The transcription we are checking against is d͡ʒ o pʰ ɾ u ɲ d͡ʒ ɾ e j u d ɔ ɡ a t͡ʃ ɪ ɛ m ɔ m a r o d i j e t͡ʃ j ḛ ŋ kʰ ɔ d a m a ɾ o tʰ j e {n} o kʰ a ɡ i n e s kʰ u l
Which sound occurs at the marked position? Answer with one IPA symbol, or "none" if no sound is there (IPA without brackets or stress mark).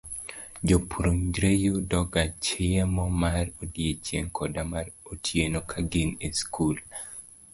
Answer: n